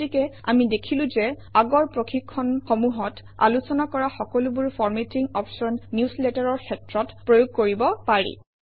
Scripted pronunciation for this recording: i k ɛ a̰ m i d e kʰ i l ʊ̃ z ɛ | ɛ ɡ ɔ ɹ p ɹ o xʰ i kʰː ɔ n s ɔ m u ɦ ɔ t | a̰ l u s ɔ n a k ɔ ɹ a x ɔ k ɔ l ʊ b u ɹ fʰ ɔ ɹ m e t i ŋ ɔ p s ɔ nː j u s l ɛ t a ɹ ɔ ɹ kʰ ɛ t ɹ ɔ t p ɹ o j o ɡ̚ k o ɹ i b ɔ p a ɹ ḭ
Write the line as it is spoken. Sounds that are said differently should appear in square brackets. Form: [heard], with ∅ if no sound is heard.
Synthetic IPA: i k ɛ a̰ m i d e kʰ i l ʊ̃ z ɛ | [a] ɡ ɔ ɹ p ɹ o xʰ i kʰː ɔ n [x] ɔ m u ɦ ɔ t | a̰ l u s ɔ n a k ɔ ɹ a x ɔ k ɔ l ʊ b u ɹ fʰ ɔ ɹ m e t i ŋ ɔ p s ɔ nː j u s l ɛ t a ɹ ɔ ɹ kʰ ɛ t ɹ ɔ t p ɹ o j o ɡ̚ k o ɹ i b ɔ p a ɹ ḭ